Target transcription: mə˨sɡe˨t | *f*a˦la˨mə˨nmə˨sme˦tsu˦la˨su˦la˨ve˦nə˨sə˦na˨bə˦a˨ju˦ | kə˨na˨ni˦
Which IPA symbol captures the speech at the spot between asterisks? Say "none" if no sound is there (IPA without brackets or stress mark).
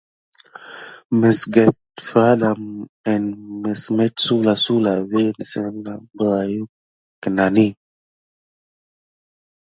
f